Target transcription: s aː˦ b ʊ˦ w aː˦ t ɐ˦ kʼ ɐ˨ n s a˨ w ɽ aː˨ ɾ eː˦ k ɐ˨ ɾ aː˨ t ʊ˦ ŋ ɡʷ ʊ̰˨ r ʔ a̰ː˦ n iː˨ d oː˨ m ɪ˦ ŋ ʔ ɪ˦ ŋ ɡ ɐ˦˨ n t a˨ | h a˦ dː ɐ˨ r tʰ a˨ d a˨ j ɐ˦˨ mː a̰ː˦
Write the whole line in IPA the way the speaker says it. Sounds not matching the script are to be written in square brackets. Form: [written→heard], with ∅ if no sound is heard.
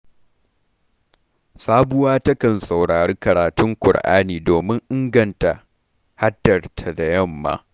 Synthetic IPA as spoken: s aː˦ b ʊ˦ w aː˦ t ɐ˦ [kʼ→k] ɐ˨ n s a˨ w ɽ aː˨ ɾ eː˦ k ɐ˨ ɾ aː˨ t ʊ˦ ŋ [ɡʷ→kʷ] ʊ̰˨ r ʔ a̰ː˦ n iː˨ d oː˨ m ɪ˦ ŋ ʔ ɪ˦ ŋ ɡ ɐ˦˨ n t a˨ | h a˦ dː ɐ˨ r tʰ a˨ d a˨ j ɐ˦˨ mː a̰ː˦